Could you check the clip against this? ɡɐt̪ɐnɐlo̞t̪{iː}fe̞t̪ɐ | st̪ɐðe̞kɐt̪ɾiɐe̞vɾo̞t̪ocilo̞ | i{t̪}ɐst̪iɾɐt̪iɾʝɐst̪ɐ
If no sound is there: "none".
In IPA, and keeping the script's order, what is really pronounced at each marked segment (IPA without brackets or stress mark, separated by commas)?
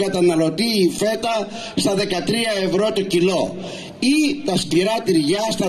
iː, t̪